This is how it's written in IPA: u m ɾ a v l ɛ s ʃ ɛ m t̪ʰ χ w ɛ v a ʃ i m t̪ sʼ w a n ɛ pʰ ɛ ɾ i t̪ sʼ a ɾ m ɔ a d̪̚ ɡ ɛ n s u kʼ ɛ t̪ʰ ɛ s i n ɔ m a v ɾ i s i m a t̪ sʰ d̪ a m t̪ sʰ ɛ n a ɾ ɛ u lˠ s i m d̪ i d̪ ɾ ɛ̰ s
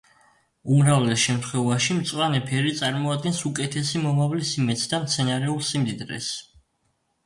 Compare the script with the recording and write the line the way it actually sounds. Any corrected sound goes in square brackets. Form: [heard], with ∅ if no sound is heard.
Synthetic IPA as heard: u m ɾ a v l ɛ s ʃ ɛ m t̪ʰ χ w ɛ v a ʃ i m t̪ sʼ w a n ɛ pʰ ɛ ɾ i t̪ sʼ a ɾ m ɔ a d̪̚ ɡ ɛ n s u kʼ ɛ t̪ʰ ɛ s i [m] ɔ m a v [l] i s i m [ɛ] t̪ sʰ d̪ a m t̪ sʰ ɛ n a ɾ ɛ u lˠ s i m d̪ i d̪ ɾ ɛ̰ s